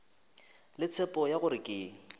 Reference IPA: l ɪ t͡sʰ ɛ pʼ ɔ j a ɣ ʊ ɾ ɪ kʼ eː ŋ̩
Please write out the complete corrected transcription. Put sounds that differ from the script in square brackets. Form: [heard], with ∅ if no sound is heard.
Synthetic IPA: l ɪ t͡sʰ ɛ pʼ ɔ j a ɣ ʊ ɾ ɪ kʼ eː ŋ̩